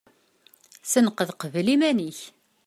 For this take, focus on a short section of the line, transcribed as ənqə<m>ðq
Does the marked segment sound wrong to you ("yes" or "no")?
yes